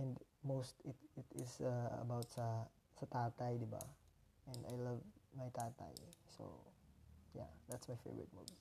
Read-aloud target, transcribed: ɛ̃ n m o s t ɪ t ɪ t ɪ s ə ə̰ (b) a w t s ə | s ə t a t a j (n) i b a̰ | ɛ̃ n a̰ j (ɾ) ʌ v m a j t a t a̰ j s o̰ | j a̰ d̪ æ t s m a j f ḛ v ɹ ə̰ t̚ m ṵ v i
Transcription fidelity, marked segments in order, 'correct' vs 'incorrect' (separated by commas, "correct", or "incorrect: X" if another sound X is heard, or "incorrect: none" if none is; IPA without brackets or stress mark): correct, incorrect: d, incorrect: l